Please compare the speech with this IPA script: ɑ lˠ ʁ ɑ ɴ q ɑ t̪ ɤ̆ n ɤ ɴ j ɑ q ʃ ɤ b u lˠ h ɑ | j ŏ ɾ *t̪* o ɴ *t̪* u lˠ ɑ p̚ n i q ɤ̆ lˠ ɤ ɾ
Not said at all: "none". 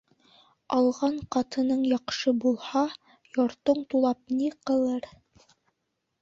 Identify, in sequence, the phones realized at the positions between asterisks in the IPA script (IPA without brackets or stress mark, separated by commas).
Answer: t̪, t̪